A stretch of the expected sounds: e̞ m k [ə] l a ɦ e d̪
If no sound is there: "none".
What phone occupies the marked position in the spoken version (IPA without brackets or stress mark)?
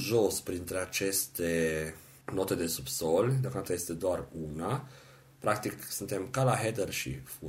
a